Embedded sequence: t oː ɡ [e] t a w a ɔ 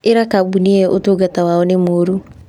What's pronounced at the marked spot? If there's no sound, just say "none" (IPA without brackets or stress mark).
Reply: a